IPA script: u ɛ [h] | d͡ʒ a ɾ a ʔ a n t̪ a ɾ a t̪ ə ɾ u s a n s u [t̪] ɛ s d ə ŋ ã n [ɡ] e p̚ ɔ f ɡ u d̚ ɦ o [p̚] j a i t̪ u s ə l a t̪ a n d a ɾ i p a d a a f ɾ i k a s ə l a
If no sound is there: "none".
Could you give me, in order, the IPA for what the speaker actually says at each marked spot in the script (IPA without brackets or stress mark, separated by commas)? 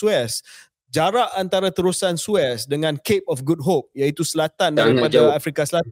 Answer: s, none, k, p̚